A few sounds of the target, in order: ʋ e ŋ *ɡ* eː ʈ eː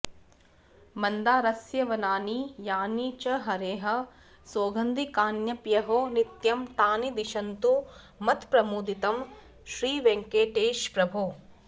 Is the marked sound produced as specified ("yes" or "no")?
no